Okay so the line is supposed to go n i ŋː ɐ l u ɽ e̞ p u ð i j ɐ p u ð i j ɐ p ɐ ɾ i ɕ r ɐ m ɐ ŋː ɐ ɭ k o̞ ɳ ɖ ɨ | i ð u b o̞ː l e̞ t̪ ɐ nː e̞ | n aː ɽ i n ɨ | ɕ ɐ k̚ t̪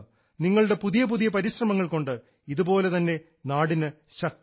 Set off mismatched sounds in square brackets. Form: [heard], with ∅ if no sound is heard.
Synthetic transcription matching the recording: n i ŋː ɐ [ɭ] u ɽ e̞ p u ð i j ɐ p u ð i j ɐ p ɐ ɾ i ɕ r ɐ m ɐ ŋː ɐ ɭ k o̞ ɳ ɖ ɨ | i ð u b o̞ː l e̞ t̪ ɐ nː e̞ | n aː ɽ i n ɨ | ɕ ɐ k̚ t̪